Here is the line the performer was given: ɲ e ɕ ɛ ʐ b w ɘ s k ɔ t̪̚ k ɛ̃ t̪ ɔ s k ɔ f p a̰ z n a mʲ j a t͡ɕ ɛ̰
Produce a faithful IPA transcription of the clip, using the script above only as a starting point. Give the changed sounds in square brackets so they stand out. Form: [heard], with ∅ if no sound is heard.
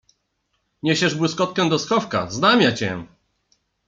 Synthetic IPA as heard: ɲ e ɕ ɛ ʐ b w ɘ s k ɔ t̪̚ k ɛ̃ [d̪] ɔ s k ɔ f [k] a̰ z n a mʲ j a t͡ɕ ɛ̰